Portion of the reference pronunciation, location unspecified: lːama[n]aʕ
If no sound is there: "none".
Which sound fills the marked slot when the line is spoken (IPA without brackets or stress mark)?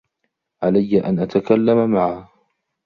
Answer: m